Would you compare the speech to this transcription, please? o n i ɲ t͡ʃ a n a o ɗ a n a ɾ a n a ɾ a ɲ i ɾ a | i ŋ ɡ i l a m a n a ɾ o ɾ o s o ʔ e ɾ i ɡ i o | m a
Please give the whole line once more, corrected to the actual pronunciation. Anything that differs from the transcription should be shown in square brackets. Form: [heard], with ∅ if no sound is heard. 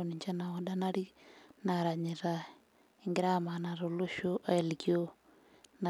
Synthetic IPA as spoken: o n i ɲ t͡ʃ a n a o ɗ a n a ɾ [i] n a ɾ a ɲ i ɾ a | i ŋ ɡ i [ɾ] a m a n a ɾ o [l] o [ʃ] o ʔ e [l] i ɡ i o | [n] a